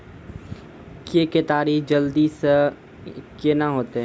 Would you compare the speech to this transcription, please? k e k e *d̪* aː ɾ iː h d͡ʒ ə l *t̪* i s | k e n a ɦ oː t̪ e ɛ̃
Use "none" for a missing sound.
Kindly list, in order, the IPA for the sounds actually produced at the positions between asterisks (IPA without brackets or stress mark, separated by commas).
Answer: t̪, d̪